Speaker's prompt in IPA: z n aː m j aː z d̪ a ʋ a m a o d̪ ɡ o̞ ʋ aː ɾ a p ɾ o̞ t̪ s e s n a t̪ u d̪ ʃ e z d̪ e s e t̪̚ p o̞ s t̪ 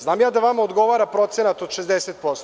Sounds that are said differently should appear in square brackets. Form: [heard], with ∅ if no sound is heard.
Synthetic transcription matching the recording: z n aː m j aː [∅] d̪ a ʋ a m a o d̪ ɡ o̞ ʋ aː ɾ a p ɾ o̞ t̪ s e [∅] n a t̪ [o] d̪ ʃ e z d̪ e s e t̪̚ p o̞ s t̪